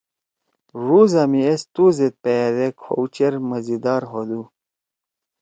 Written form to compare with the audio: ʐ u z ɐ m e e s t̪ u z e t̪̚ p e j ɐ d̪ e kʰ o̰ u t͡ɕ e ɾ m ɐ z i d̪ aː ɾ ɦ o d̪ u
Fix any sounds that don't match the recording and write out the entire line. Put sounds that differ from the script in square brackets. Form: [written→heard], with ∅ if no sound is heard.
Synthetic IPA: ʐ u z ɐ m [e→i] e s t̪ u z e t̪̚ p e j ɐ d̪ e kʰ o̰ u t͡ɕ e ɾ m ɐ z i d̪ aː ɾ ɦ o d̪ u